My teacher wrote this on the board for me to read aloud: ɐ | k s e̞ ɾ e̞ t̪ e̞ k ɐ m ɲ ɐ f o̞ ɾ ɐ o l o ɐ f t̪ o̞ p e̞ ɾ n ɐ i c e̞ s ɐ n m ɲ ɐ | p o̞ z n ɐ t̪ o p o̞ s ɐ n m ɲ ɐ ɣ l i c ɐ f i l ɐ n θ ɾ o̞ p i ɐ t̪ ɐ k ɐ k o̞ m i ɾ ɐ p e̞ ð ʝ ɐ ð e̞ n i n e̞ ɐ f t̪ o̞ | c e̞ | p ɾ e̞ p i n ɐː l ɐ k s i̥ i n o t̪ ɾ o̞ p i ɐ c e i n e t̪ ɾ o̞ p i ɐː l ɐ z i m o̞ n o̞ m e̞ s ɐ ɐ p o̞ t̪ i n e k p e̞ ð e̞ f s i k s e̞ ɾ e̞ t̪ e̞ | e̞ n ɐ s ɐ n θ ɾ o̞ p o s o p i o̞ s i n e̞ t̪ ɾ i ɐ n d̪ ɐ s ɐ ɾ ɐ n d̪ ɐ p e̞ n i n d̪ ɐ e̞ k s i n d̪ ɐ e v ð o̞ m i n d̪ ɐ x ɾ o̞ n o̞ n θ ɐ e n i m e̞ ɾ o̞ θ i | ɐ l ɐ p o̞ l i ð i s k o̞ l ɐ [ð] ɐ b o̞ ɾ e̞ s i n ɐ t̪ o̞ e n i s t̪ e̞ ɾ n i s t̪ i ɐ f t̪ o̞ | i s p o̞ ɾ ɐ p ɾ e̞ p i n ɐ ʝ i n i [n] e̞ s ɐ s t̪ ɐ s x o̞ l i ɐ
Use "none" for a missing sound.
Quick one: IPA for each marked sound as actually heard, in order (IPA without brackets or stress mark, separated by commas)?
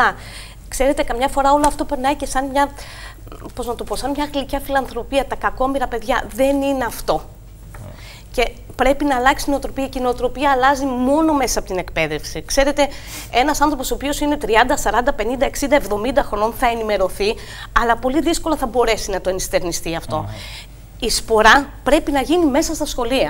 θ, m